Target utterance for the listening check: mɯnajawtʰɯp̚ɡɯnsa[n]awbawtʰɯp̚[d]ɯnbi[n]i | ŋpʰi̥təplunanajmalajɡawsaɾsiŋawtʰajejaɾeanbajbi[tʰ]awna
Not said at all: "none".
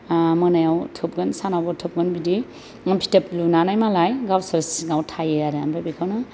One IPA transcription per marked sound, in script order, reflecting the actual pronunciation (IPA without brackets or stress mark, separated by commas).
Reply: n, ɡ, d, kʰ